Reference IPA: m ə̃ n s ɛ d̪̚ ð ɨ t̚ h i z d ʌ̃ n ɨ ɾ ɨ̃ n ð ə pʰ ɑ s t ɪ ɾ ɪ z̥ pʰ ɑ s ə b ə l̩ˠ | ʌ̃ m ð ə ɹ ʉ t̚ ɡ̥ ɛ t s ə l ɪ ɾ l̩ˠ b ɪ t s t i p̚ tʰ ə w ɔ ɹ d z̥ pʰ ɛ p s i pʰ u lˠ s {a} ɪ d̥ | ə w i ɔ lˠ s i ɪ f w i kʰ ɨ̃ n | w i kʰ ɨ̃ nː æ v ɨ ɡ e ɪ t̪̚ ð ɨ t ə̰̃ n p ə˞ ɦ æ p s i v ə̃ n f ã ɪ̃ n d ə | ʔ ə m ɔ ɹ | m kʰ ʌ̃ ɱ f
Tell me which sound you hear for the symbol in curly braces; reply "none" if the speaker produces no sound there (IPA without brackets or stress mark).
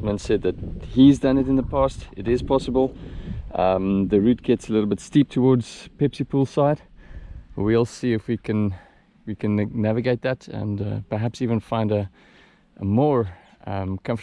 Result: a